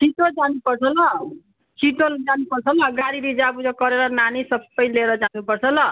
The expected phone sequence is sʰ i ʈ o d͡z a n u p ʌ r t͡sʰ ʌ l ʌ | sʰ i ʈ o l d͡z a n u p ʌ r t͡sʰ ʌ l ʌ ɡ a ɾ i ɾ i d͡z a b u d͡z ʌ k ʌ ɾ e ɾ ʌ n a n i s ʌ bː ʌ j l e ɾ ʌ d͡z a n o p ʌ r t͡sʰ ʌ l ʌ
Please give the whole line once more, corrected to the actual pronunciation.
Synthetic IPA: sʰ i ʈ o d͡z a n u p ʌ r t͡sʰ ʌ l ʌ | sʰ i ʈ o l d͡z a n u p ʌ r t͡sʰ ʌ l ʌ ɡ a ɾ i ɾ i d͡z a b u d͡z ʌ k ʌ ɾ e ɾ ʌ n a n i s ʌ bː ʌ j l e ɾ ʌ d͡z a n u p ʌ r t͡sʰ ʌ l ʌ